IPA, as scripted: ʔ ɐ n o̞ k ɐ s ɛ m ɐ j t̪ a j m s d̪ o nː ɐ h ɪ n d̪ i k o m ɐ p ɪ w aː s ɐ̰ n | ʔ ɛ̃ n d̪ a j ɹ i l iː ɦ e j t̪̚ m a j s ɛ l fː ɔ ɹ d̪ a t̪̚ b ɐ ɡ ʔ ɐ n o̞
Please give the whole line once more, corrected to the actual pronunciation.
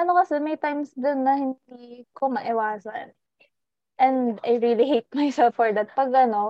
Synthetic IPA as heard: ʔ ɐ n o̞ k ɐ s ɛ m ɐ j t̪ a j m s d̪ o nː ɐ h ɪ n d̪ i k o m ɐ ʔ ɪ w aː s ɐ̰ n | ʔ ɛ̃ n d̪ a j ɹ i l i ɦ e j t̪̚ m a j s ɛ l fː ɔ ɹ d̪ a t̪̚ p ɐ ɡ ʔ ɐ n o̞